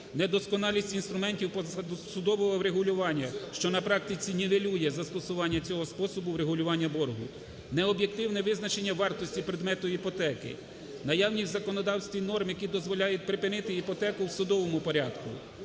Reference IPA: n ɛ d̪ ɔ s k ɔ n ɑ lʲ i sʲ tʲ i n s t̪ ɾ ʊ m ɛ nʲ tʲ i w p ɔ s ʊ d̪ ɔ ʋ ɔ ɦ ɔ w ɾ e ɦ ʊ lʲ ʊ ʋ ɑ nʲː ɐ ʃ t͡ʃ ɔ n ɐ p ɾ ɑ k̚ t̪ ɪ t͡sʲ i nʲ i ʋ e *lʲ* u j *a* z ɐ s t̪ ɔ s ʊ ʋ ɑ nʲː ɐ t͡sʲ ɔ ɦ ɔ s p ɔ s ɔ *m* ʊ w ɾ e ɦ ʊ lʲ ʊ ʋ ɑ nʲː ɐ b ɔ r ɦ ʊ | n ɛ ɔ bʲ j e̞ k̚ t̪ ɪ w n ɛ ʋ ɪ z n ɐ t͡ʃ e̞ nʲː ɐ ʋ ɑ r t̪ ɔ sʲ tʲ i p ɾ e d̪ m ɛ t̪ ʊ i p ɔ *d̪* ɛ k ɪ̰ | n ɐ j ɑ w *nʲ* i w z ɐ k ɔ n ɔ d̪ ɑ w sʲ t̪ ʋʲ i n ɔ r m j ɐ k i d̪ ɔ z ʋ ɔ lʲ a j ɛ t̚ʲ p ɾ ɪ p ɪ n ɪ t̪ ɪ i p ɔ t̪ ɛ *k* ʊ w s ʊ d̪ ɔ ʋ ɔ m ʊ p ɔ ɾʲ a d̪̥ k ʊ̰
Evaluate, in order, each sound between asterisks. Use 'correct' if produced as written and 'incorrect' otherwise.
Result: correct, incorrect, incorrect, incorrect, correct, correct

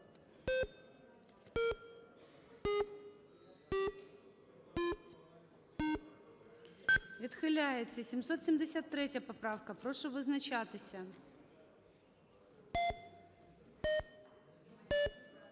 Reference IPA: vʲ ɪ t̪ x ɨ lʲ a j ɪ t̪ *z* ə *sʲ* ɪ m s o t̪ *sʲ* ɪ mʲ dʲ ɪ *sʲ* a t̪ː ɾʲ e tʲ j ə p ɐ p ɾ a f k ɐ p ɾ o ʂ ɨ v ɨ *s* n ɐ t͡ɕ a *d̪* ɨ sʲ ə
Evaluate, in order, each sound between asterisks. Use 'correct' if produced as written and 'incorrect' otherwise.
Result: incorrect, correct, correct, correct, incorrect, incorrect

